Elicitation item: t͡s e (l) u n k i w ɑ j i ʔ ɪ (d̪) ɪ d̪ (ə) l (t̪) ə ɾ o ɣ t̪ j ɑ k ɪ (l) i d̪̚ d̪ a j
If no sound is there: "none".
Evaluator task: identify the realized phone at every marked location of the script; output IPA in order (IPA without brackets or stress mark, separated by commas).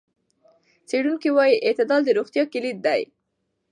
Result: ɽ, t̪, ɑ, d̪, l